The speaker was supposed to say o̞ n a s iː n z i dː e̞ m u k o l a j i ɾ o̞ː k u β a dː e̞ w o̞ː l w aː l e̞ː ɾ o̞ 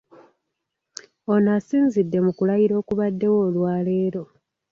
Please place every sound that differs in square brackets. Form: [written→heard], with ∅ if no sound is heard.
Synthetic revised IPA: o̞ n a s iː n z i dː e̞ m u k [o→u] l a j i ɾ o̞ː k u β a dː e̞ w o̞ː l w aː l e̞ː ɾ o̞

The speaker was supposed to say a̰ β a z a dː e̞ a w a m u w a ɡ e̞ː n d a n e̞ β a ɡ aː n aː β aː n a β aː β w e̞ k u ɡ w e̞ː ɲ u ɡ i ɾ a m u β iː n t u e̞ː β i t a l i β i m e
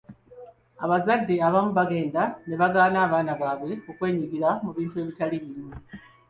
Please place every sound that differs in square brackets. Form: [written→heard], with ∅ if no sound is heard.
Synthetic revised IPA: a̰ β a z a dː e̞ a [w→β] a m u [w→β] a ɡ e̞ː n d a n e̞ β a ɡ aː n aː β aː n a β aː β w e̞ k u [ɡ→k] w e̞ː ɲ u ɡ i ɾ a m u β iː n t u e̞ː β i t a l i β i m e

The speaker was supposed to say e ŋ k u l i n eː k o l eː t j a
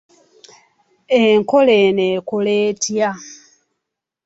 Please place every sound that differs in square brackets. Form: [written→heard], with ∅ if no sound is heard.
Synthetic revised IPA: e ŋ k [u→o] l [i→e] n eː k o l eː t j a

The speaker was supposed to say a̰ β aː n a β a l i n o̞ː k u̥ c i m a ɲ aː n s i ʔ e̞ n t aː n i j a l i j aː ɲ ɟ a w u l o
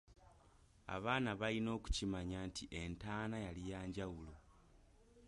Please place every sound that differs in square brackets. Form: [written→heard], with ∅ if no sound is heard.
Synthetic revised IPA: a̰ β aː n a β a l i n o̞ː k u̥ c i m a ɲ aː n [s→t] i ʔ e̞ n t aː n [i→a] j a l i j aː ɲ ɟ a w u l o

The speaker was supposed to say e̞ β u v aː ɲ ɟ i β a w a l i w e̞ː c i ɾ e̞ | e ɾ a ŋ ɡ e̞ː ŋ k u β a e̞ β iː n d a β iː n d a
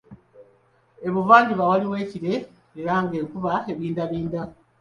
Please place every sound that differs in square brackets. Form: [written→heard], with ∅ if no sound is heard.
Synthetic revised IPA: e̞ β u v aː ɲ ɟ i β a w a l i w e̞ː c i ɾ e̞ | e ɾ a ŋ ɡ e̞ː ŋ k u β a e̞ β iː n d a β iː n d a

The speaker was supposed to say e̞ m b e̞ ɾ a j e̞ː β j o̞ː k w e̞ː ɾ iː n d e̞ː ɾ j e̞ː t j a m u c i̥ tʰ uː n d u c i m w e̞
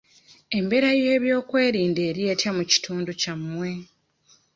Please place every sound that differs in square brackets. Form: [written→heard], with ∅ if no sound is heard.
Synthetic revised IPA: e̞ m b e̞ ɾ a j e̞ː β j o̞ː k w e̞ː ɾ iː n d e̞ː ɾ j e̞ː t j a m u c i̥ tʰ uː n d u c [i→a] m w e̞

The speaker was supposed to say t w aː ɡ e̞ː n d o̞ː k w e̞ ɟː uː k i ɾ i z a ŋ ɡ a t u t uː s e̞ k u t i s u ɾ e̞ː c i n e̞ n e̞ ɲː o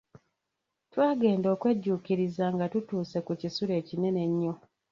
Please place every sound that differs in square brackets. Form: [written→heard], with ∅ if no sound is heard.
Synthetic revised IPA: t w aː ɡ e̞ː n d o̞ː k w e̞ ɟː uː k i ɾ i z a ŋ ɡ a t u t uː s e̞ k u [t→c] i s u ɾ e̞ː c i n e̞ n e̞ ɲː o

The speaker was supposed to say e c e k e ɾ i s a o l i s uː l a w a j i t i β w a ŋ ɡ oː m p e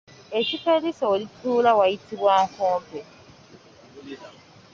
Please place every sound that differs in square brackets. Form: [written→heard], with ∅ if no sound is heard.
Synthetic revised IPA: e c [e→i] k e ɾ i s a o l i [s→t] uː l a w a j i t i β w a ŋ [ɡ→k] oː m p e

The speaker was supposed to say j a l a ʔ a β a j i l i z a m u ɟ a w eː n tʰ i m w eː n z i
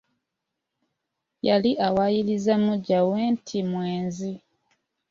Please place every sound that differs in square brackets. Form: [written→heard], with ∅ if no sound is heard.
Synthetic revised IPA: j a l [a→i] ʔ a [β→w] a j i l i z a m u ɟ a w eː n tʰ i m w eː n z i

